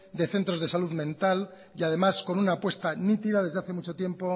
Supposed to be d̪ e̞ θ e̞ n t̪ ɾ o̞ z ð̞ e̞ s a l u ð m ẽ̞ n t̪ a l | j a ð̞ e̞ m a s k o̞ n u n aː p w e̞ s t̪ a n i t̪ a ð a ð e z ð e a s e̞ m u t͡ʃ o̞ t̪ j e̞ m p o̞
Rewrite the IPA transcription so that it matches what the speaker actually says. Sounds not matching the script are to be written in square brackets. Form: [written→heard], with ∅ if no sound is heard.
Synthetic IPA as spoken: d̪ e̞ θ e̞ n t̪ ɾ o̞ z ð̞ e̞ s a l u ð m ẽ̞ n t̪ a l | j a ð̞ e̞ m a s k o̞ n u n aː p w e̞ s t̪ a n i t̪ [a→i] ð a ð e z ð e a [s→θ] e̞ m u t͡ʃ o̞ t̪ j e̞ m p o̞